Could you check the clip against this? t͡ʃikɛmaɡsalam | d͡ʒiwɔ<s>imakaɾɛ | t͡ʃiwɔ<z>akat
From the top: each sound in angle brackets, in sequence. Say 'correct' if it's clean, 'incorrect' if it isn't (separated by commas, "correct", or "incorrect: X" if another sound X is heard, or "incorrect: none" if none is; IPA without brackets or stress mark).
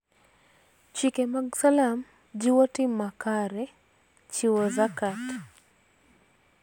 incorrect: t, correct